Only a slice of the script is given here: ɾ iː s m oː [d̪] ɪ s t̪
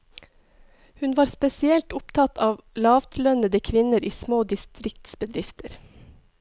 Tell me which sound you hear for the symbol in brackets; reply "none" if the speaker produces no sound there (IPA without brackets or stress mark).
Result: d̪